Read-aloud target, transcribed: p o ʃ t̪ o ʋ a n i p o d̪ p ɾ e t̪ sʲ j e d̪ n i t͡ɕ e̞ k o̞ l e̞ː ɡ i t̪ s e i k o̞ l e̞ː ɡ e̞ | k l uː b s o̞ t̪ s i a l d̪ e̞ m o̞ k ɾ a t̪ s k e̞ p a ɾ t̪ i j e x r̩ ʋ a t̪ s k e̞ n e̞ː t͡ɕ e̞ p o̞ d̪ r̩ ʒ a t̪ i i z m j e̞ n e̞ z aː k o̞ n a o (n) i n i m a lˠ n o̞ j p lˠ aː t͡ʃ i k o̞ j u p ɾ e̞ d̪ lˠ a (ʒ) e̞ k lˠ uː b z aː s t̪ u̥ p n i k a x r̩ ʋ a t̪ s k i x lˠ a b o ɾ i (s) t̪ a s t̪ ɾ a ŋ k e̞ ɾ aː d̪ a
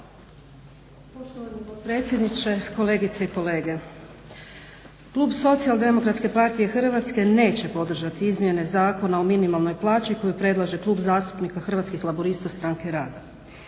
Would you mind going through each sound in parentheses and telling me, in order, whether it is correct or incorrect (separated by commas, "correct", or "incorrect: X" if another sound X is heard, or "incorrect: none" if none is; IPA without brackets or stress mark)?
incorrect: m, correct, correct